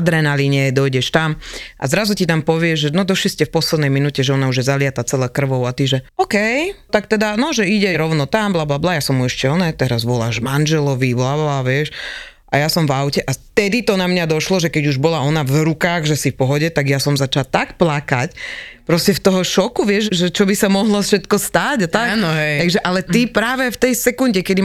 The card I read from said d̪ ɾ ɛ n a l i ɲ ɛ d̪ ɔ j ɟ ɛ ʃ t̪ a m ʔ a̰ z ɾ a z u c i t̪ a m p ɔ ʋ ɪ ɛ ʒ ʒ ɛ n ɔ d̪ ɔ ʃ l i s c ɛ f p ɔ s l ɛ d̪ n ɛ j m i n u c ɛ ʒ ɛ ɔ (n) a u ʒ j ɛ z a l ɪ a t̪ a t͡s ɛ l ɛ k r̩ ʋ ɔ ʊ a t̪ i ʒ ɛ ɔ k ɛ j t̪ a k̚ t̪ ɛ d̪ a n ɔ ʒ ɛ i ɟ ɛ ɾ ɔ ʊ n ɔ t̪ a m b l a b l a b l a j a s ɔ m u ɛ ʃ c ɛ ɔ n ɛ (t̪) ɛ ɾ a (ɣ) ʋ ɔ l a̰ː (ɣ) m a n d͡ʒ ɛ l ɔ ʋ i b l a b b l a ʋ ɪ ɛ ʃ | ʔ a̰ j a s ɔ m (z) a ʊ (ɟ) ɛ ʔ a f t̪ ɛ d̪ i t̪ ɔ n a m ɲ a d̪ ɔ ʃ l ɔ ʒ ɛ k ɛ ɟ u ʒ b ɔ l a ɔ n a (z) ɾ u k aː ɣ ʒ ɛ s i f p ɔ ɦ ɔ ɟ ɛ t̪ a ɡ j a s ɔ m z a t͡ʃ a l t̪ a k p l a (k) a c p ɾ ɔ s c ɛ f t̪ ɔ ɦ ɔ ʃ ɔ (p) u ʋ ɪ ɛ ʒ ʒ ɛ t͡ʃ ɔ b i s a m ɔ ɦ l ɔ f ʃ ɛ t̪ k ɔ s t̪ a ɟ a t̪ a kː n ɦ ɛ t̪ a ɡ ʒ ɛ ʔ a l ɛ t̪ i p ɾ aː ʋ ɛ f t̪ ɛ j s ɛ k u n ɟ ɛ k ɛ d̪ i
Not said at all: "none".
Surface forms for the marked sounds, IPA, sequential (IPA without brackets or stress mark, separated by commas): n, t̪, z, ʒ, v, c, v, k, k